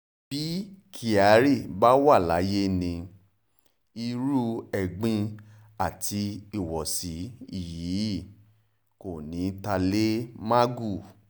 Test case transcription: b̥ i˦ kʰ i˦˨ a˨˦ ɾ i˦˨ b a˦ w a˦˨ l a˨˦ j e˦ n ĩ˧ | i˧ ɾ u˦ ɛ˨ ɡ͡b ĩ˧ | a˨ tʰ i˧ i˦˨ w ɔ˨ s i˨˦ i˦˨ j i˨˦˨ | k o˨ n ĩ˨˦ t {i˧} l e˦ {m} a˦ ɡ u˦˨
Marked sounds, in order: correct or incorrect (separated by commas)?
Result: incorrect, correct